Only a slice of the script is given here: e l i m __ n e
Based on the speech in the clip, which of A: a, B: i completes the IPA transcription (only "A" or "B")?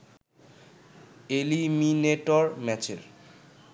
B